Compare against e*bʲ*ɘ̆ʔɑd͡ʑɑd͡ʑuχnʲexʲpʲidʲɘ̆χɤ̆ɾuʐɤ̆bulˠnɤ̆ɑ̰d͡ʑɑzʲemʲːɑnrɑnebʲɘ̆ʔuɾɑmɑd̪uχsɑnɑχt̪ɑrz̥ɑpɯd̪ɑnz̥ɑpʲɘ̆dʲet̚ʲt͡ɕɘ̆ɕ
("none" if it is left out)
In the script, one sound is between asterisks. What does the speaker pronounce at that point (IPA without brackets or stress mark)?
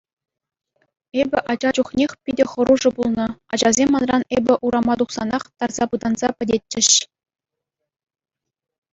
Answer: bʲ